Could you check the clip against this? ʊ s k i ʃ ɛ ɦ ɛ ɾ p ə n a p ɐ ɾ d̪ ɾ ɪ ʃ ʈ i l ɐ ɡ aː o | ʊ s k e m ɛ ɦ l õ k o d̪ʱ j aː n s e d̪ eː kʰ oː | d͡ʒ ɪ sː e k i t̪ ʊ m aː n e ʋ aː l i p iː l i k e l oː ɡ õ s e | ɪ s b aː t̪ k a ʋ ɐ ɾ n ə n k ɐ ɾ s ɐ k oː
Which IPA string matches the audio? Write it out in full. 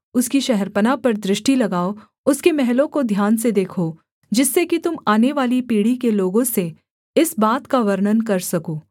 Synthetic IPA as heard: ʊ s k i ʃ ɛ ɦ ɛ ɾ p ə n a p ɐ ɾ d̪ ɾ ɪ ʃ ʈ i l ɐ ɡ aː o | ʊ s k e m ɛ ɦ l õ k o d̪ʱ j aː n s e d̪ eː kʰ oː | d͡ʒ ɪ sː e k i t̪ ʊ m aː n e ʋ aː l i p iː ɽ i k e l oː ɡ õ s e | ɪ s b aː t̪ k a ʋ ɐ ɾ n ə n k ɐ ɾ s ɐ k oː